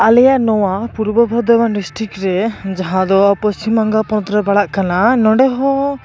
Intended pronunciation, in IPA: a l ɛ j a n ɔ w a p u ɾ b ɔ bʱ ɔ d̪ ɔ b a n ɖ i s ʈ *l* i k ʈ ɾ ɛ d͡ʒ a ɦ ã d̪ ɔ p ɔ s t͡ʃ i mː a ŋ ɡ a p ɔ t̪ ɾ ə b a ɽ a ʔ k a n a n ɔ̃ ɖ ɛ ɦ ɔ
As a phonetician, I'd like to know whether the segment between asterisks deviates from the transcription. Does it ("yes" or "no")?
yes